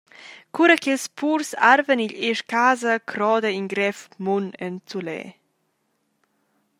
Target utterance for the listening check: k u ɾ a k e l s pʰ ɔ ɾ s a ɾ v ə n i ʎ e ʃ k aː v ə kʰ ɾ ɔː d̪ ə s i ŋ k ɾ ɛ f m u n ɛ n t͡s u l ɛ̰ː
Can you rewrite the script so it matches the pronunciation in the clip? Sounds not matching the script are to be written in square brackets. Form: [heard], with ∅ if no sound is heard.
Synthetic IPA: k u ɾ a k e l s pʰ [u] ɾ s a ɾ v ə n i ʎ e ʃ k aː [z] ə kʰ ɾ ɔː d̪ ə [∅] i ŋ [ɡ] ɾ ɛ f m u n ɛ n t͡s u l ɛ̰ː